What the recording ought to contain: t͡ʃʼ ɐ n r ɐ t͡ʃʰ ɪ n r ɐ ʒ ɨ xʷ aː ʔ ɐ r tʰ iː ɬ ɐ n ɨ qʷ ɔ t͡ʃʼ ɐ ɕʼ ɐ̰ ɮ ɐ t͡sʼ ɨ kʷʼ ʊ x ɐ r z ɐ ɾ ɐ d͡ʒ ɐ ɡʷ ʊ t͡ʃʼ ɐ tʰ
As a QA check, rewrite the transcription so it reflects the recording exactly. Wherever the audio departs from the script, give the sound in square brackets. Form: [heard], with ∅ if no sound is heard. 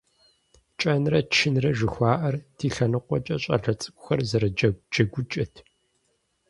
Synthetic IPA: t͡ʃʼ ɐ n r ɐ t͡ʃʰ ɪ n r ɐ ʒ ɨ xʷ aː ʔ ɐ r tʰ iː ɬ ɐ n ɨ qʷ ɔ t͡ʃʼ ɐ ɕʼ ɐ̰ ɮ ɐ t͡sʼ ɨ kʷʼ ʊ x ɐ r z ɐ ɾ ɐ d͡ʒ ɐ ɡʷ ʊ t͡ʃʼ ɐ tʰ